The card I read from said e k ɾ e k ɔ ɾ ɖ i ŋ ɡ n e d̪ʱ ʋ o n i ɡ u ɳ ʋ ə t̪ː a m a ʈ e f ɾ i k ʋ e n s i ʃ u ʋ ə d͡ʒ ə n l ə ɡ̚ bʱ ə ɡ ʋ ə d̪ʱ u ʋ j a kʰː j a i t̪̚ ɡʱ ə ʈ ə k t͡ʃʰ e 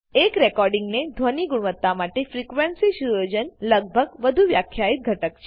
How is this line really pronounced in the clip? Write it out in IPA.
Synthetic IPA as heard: e k ɾ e k ɔ ɾ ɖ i ŋ ɡ n e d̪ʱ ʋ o n i ɡ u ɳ ʋ ə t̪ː a m a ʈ e f ɾ i k ʋ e n s i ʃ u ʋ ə d͡ʒ ə n l ə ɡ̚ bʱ ə ɡ ʋ ə d̪ʱ u ʋ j a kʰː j a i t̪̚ ɡʱ ə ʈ ə k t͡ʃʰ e